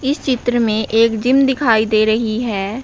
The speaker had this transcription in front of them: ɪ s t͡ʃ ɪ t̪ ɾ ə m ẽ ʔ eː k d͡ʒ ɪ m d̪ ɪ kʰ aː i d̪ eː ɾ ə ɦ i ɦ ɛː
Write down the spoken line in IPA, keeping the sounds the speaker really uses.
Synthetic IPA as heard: ɪ s t͡ʃ ɪ t̪ ɾ ə m ẽ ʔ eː k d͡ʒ ɪ m d̪ ɪ kʰ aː i d̪ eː ɾ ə ɦ i ɦ ɛː